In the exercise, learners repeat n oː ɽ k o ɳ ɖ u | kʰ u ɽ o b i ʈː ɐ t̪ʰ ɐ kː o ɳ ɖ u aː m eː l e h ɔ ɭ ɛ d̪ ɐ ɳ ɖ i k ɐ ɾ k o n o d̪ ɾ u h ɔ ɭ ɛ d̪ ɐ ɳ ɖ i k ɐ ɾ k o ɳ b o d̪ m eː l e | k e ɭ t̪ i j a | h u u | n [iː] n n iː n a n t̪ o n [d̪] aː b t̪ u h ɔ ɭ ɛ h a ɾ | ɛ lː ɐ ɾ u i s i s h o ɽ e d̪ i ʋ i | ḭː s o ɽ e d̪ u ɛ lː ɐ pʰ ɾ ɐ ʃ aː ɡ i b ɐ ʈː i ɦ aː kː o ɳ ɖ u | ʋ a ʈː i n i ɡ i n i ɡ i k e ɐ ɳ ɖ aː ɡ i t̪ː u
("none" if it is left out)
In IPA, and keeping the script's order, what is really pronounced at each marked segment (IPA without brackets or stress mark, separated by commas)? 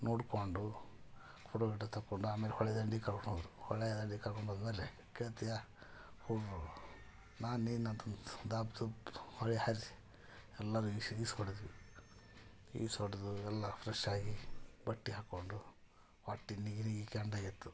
aː, d̪